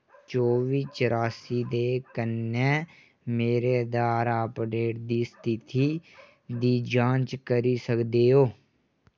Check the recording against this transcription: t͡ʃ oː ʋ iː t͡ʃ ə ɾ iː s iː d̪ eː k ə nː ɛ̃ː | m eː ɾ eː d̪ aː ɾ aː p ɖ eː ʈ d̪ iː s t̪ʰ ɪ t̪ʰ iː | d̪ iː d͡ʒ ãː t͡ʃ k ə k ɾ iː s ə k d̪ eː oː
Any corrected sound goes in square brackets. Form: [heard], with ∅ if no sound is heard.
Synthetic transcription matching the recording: t͡ʃ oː ʋ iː t͡ʃ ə ɾ [aː] s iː d̪ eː k ə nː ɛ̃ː | m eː ɾ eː d̪ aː ɾ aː p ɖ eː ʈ d̪ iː s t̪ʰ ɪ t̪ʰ iː | d̪ iː d͡ʒ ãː t͡ʃ k ə [∅] ɾ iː s ə k d̪ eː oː

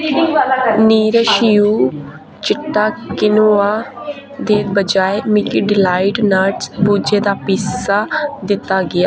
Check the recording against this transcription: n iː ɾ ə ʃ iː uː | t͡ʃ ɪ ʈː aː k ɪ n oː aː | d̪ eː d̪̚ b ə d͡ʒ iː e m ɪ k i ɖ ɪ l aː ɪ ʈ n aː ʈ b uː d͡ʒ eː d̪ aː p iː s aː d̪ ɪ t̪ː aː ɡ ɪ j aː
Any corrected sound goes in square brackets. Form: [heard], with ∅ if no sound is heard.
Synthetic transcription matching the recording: n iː ɾ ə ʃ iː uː | t͡ʃ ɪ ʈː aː k ɪ n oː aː | d̪ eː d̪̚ b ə d͡ʒ [aː] e m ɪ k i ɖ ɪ l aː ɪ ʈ n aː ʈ b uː d͡ʒ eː d̪ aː p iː s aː d̪ ɪ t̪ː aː ɡ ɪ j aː

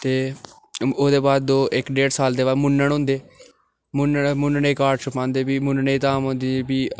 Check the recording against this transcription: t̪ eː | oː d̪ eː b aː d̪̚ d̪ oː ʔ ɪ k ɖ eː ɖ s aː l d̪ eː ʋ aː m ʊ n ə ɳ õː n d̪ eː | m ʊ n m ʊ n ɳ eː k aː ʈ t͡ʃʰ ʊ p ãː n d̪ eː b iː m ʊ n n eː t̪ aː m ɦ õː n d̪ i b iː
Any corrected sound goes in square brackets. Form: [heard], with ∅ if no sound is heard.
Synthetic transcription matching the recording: t̪ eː | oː d̪ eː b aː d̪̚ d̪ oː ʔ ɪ k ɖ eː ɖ s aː l d̪ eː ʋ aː m ʊ n ə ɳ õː n d̪ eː | m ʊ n m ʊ n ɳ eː k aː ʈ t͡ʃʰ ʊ p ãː n d̪ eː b iː m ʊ n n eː t̪ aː m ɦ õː n d̪ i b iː

